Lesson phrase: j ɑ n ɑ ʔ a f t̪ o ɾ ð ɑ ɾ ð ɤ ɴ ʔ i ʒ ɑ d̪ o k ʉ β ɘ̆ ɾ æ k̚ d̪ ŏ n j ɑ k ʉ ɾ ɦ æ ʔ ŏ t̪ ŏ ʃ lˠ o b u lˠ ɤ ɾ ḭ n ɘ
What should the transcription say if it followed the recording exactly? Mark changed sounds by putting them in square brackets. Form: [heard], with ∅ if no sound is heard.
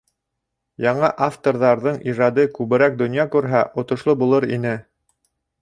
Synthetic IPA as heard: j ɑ [ɴ] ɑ ʔ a f t̪ o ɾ ð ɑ ɾ ð ɤ ɴ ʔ i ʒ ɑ d̪ [ɤ] k ʉ β ɘ̆ ɾ æ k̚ d̪ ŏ n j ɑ k ʉ ɾ ɦ æ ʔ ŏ t̪ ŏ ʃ lˠ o b u lˠ ɤ ɾ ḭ n ɘ